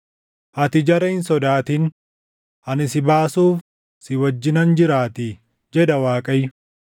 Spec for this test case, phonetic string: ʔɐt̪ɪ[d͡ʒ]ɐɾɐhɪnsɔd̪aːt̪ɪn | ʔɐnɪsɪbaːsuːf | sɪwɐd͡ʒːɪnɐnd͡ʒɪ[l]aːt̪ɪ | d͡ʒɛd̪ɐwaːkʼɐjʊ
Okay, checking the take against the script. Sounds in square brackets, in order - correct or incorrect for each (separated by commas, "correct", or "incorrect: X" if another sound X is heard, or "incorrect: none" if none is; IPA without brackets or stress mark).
correct, incorrect: ɾ